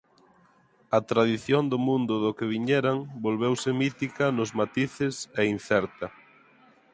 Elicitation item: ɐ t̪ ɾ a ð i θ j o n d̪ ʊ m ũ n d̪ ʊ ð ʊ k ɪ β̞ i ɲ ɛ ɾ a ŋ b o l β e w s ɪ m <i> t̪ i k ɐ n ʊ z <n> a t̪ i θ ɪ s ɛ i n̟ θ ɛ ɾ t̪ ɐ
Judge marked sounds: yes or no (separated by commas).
yes, no